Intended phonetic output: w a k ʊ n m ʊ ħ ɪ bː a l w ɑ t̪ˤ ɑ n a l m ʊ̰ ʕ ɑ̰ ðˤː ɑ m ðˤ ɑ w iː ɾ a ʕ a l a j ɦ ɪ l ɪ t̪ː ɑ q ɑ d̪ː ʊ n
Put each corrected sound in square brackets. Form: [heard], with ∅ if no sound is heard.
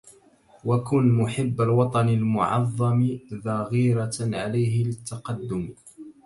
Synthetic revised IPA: w a k ʊ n m ʊ ħ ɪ bː a l w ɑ t̪ˤ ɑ n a l m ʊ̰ ʕ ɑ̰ ðˤː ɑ m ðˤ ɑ [ɣ] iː ɾ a ʕ a l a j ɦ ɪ l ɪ t̪ː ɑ q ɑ d̪ː ʊ [m]